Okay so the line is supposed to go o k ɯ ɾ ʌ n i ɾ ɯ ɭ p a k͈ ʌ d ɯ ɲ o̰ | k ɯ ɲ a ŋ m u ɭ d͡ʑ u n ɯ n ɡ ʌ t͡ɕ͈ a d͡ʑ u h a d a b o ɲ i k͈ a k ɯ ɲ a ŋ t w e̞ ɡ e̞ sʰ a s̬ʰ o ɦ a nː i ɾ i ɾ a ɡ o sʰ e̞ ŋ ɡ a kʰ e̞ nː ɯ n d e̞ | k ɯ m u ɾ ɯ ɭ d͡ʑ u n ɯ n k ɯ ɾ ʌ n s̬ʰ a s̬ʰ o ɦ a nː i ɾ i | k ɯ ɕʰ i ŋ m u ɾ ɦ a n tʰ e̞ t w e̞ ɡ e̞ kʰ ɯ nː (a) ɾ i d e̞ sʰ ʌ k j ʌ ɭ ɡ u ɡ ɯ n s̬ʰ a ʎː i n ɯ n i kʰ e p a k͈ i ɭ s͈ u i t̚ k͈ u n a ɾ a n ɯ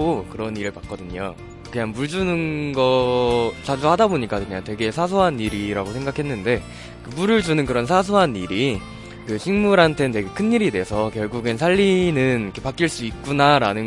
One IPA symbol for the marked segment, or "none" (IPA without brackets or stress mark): i